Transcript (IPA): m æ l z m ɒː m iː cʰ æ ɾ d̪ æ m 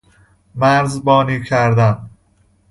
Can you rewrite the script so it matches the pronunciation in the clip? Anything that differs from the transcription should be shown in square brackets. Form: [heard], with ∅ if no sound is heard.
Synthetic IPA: m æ [ɾ] z [b] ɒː [n] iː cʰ æ ɾ d̪ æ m